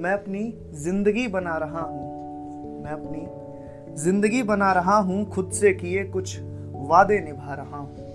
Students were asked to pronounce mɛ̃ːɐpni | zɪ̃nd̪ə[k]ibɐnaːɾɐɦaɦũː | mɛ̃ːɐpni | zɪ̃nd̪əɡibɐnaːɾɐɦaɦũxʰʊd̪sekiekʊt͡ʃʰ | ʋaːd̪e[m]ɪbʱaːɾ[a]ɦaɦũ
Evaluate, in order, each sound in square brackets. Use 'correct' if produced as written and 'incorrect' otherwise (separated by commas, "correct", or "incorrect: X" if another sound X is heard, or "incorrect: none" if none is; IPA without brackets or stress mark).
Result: incorrect: ɡ, incorrect: n, incorrect: ɐ